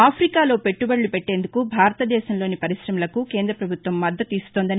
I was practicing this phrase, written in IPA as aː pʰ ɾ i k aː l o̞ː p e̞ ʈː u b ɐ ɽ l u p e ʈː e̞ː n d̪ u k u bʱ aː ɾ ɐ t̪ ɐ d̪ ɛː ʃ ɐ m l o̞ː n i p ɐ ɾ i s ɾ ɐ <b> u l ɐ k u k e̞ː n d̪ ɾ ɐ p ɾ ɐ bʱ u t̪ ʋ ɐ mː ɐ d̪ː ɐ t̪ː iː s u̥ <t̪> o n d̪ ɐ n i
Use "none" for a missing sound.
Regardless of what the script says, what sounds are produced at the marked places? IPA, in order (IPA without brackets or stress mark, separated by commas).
m, t̪